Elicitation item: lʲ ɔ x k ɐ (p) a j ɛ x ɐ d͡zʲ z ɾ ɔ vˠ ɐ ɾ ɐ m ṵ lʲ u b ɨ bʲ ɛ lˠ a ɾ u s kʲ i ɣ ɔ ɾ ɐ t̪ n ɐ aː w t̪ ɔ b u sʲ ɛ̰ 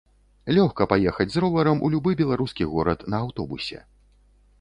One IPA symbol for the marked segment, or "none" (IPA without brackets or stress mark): p